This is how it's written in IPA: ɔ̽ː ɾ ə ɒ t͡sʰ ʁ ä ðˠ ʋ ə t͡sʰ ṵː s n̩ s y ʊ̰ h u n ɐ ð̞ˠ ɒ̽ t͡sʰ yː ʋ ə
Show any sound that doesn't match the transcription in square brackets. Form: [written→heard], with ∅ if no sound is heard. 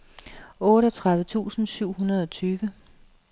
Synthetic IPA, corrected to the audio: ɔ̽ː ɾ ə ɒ t͡sʰ ʁ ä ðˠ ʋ ə t͡sʰ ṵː s n̩ s y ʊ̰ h u n ɐ ð̞ˠ ɒ̽ t͡sʰ yː ʋ ə

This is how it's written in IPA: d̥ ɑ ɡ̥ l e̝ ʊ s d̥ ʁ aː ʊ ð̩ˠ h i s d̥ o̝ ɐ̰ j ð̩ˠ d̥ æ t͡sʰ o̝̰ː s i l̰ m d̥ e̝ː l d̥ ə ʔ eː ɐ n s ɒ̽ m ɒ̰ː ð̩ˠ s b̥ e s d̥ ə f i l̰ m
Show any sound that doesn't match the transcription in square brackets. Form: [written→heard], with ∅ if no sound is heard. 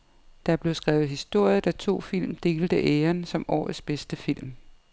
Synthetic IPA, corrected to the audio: d̥ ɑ [ɡ̥→b̥] l e̝ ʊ s [d̥→ɡ̥] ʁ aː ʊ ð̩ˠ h i s d̥ o̝ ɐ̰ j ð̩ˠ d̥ æ t͡sʰ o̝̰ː [s→f] i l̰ m d̥ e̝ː l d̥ ə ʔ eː ɐ n s ɒ̽ m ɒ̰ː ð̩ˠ s b̥ e s d̥ ə f i l̰ m

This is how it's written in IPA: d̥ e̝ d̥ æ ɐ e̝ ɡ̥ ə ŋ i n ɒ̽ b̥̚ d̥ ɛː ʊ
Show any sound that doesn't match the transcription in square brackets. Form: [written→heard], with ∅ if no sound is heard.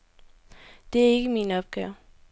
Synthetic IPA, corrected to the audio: d̥ e̝ [d̥→∅] æ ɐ e̝ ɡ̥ ə [ŋ→m] i n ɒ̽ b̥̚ [d̥→ɡ̥] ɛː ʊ

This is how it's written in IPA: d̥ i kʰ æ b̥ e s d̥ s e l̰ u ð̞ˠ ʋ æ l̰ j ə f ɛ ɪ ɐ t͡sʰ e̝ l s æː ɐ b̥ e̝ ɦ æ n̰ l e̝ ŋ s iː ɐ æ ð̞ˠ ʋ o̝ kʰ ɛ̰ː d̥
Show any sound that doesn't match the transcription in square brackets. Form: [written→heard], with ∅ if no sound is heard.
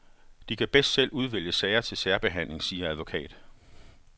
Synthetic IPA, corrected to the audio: d̥ i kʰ æ b̥ e s d̥ s e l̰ u ð̞ˠ ʋ [æ→e] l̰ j ə [f→s] ɛ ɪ ɐ t͡sʰ e̝ l s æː ɐ b̥ e̝ ɦ æ n̰ l e̝ ŋ s iː ɐ æ ð̞ˠ ʋ o̝ kʰ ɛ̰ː d̥

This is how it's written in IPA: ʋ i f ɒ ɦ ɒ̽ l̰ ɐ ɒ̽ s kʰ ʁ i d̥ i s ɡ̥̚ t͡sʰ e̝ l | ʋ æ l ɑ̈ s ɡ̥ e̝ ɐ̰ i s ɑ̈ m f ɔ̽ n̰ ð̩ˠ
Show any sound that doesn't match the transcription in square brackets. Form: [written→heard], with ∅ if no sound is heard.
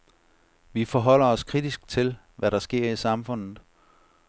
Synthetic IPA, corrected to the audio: ʋ i f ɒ ɦ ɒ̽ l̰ ɐ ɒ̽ s kʰ ʁ i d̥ i s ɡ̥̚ t͡sʰ e̝ l | ʋ æ [l→ɾ] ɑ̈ s ɡ̥ e̝ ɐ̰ i s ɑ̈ m f ɔ̽ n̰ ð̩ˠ

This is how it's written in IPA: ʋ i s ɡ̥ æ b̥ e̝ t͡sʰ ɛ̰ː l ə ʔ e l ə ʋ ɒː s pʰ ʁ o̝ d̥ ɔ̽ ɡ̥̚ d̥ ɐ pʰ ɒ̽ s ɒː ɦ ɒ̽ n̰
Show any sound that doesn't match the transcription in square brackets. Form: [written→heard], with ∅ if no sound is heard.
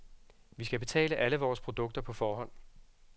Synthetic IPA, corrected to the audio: ʋ i s ɡ̥ æ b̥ e̝ t͡sʰ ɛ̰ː l ə ʔ [e→æ] l ə ʋ ɒː s pʰ ʁ o̝ d̥ ɔ̽ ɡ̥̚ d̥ ɐ pʰ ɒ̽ [s→f] ɒː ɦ ɒ̽ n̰

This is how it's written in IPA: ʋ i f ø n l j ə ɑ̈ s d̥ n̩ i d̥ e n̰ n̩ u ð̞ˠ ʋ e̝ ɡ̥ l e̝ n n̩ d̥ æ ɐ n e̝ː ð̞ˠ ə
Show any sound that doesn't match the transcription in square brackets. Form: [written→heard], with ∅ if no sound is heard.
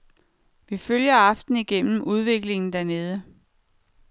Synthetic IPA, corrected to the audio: ʋ i f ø [n→∅] l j [ə→ɐ] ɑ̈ [s→f] d̥ n̩ i [d̥→ɡ̥] e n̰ [n̩→m̩] u ð̞ˠ ʋ e̝ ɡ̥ l e̝ [n→ŋ] n̩ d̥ æ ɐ n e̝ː ð̞ˠ ə

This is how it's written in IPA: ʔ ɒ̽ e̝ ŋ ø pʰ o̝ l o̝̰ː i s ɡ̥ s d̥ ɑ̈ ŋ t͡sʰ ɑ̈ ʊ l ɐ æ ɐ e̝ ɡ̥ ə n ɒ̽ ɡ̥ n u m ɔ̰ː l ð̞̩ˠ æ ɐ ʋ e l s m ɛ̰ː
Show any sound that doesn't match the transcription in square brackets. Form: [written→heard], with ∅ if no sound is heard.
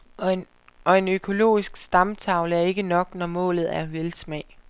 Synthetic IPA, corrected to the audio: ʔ ɒ̽ e̝ [ŋ→n] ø [pʰ→kʰ] o̝ l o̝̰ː i s ɡ̥ s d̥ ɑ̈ [ŋ→m] t͡sʰ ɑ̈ ʊ l [ɐ→ə] æ ɐ e̝ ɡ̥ ə n ɒ̽ ɡ̥ n [u→ɒ] m ɔ̰ː l ð̞̩ˠ æ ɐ ʋ e l s m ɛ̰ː

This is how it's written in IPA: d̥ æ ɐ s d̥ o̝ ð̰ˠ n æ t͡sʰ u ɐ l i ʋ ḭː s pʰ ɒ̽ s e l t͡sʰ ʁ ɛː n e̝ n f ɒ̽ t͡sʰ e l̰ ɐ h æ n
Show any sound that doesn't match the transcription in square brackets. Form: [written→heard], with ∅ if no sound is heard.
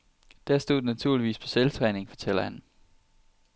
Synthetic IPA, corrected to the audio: d̥ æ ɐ s d̥ o̝ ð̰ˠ n æ t͡sʰ u ɐ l i ʋ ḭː s pʰ ɒ̽ s e l t͡sʰ ʁ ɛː n e̝ [n→ŋ] f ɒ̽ t͡sʰ e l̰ ɐ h æ n

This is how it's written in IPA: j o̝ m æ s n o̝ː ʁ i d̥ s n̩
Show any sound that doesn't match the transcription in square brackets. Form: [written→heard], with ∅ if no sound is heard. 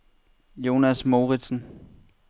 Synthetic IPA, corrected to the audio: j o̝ [m→n] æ s [n→m] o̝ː ʁ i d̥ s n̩

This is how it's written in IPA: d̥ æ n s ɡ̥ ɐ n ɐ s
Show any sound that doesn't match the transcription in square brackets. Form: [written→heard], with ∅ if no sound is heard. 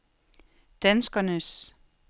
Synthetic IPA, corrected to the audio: d̥ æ n s ɡ̥ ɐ n [ɐ→ə] s

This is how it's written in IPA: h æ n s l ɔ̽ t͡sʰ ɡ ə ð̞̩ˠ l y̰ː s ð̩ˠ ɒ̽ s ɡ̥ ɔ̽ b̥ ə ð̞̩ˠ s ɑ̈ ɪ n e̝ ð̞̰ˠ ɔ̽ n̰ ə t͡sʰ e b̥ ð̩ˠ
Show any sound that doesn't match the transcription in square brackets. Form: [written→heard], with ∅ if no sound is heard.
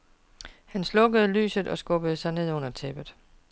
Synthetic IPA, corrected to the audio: h æ n s l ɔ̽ [t͡sʰ→∅] ɡ ə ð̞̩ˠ l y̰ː s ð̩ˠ ɒ̽ s ɡ̥ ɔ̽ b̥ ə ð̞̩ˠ s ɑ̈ ɪ n e̝ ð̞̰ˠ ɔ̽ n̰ [ə→ɐ] t͡sʰ e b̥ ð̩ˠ

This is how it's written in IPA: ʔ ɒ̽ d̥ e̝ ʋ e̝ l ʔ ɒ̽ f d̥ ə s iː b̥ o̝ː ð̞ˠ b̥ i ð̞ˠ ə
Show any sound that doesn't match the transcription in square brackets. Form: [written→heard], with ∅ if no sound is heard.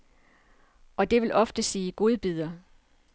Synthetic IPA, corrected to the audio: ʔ ɒ̽ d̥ e̝ ʋ e̝ l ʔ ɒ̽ f d̥ ə s iː [b̥→ɡ̥] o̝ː ð̞ˠ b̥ i ð̞ˠ [ə→ɐ]

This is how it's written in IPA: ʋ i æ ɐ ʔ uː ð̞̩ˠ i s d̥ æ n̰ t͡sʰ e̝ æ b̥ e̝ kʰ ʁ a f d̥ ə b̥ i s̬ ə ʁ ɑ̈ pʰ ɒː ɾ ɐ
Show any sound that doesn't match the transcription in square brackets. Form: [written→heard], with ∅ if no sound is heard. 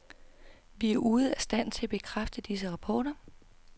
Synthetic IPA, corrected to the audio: ʋ i æ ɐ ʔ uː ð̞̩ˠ [i→æ] s d̥ æ n̰ t͡sʰ e̝ æ b̥ e̝ kʰ ʁ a f d̥ ə [b̥→d̥] i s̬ ə ʁ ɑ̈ pʰ ɒː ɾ ɐ

